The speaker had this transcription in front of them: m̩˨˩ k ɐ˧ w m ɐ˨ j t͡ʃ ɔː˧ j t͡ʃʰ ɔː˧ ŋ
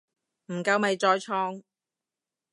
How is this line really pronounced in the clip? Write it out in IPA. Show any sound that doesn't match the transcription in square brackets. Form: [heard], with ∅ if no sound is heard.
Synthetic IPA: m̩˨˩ k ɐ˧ w m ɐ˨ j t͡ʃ ɔː˧ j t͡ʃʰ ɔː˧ ŋ